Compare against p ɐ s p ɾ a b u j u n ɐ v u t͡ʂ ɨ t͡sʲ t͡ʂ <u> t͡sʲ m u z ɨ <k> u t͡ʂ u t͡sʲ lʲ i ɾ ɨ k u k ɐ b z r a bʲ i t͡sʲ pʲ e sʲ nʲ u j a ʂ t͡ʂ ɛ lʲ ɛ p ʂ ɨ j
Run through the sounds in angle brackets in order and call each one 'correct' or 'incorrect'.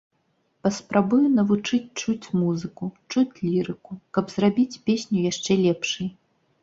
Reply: correct, correct

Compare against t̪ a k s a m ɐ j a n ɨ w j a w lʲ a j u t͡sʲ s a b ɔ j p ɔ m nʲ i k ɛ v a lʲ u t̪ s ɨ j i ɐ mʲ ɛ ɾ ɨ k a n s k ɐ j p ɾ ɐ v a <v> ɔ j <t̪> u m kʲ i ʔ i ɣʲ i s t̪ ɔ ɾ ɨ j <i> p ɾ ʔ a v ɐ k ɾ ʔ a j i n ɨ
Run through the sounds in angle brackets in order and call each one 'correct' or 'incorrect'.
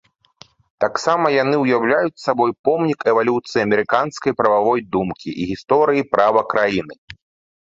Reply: correct, incorrect, correct

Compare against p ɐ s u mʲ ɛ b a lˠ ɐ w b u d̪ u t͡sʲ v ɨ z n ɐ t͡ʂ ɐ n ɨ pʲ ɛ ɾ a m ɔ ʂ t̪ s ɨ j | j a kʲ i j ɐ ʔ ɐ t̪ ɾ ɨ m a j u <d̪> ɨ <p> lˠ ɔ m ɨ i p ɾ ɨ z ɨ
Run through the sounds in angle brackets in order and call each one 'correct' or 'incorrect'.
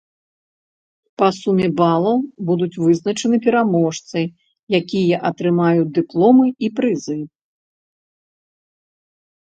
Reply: correct, correct

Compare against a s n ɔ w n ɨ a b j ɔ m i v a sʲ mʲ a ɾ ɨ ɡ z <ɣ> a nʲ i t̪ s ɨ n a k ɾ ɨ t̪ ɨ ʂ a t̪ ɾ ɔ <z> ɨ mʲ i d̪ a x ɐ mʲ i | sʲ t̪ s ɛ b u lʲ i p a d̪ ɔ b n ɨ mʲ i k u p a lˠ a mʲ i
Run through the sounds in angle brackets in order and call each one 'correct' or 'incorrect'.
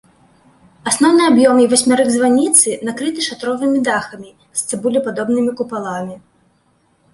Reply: incorrect, incorrect

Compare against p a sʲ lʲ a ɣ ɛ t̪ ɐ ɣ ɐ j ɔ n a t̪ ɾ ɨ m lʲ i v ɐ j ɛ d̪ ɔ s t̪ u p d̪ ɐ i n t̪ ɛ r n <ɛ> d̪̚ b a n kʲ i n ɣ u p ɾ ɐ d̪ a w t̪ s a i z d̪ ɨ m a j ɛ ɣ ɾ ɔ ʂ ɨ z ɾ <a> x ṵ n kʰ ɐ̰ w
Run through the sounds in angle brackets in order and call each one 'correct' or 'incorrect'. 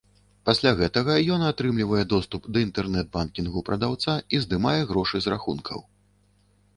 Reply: correct, correct

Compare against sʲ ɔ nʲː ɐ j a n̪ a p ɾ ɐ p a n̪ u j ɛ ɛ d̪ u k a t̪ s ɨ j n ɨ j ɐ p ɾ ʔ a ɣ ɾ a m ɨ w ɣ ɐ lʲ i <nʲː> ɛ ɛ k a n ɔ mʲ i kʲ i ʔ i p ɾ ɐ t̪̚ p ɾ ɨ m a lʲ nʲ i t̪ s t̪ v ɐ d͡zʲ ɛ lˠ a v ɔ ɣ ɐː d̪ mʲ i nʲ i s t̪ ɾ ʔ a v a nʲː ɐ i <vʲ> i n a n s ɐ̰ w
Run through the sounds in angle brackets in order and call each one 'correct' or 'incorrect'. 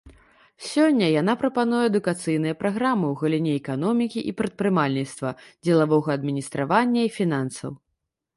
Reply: incorrect, incorrect

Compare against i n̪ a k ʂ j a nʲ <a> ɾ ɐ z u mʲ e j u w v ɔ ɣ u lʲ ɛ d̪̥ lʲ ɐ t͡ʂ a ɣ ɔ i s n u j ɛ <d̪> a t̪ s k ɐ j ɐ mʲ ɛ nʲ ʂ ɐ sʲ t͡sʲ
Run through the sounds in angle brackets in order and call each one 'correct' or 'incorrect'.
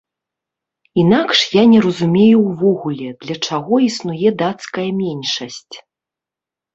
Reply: incorrect, correct

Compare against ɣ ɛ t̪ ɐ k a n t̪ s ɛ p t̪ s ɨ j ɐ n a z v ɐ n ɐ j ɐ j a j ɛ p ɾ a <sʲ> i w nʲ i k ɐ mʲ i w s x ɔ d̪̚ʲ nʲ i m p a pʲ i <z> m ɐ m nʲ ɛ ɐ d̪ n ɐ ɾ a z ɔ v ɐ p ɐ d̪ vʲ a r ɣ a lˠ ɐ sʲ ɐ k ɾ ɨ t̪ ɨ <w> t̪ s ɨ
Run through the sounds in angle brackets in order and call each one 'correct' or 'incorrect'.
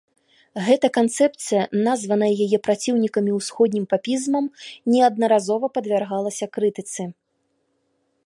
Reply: incorrect, correct, incorrect

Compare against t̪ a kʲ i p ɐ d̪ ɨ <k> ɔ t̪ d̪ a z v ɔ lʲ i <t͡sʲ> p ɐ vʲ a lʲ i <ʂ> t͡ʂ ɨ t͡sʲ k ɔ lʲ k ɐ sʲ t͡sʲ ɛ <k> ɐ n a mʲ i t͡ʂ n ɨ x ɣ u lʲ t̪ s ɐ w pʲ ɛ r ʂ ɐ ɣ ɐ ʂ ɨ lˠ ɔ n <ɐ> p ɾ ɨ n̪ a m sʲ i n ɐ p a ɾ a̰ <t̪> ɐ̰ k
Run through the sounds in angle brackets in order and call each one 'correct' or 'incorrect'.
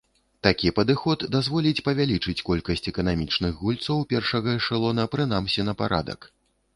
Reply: incorrect, correct, incorrect, correct, correct, incorrect

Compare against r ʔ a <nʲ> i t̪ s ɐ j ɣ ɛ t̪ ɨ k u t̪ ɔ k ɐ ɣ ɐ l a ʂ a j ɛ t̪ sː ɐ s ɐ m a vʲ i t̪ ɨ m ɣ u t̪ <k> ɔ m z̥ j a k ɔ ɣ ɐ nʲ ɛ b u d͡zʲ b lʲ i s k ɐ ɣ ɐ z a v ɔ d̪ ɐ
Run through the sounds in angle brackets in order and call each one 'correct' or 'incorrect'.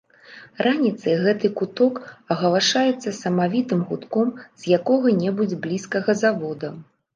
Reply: correct, correct

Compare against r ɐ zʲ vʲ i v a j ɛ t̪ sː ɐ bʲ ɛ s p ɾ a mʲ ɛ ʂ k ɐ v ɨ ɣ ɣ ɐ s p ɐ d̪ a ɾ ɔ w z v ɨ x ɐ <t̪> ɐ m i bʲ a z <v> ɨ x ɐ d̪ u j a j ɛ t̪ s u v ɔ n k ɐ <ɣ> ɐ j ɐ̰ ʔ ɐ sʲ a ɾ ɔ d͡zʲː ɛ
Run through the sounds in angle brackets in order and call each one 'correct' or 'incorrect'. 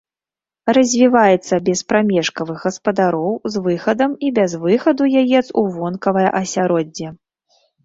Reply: incorrect, correct, incorrect

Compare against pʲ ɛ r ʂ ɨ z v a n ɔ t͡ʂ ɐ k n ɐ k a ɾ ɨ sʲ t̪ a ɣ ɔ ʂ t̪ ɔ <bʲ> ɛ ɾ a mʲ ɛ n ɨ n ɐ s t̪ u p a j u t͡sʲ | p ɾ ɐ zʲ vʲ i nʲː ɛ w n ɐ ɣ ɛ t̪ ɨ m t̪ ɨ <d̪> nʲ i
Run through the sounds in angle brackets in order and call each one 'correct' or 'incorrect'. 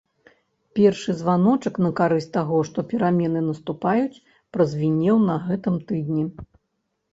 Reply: incorrect, correct

